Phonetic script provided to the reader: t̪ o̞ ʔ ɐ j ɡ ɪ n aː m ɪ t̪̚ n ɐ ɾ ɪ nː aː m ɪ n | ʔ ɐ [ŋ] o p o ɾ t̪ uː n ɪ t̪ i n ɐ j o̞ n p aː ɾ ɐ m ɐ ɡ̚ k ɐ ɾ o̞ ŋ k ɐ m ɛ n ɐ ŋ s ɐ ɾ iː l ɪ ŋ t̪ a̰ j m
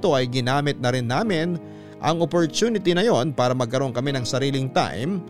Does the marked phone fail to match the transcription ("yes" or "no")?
no